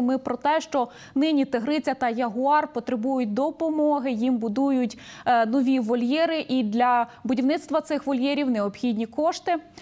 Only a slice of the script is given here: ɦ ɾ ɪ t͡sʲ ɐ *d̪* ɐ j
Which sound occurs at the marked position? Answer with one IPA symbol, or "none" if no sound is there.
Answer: t̪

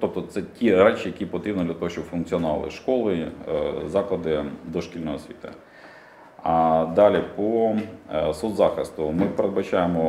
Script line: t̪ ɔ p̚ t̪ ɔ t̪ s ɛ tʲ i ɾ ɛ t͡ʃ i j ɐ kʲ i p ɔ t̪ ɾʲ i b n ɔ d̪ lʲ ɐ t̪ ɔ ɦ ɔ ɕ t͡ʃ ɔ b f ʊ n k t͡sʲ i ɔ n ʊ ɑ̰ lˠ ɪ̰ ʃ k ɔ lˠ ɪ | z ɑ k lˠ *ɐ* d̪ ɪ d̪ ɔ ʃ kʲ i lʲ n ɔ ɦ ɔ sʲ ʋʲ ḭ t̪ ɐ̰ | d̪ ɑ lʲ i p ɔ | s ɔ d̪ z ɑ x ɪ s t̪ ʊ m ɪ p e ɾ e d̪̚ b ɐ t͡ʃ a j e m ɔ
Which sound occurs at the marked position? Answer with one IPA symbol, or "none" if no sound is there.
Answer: ɐ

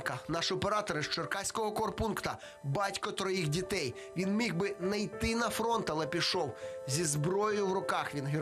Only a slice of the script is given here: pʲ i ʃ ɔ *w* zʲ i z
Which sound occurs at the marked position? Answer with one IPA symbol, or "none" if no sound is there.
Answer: w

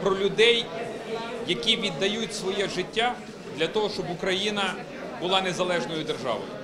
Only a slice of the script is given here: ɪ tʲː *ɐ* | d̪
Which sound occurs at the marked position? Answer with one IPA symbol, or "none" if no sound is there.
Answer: a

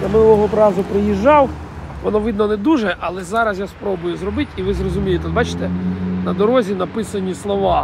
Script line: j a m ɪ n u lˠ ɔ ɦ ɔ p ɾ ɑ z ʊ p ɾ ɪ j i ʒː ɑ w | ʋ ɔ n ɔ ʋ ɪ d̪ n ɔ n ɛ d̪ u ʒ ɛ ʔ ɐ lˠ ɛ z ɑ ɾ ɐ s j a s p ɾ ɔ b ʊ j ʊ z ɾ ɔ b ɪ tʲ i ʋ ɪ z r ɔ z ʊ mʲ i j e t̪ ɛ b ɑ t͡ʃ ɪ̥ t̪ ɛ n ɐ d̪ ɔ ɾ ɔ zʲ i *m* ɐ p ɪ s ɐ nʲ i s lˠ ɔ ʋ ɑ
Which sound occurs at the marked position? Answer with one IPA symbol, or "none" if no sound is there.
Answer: n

